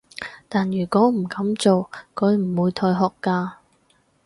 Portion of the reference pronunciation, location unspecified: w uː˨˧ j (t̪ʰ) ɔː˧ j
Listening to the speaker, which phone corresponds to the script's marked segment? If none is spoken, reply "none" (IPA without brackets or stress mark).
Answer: t̪ʰ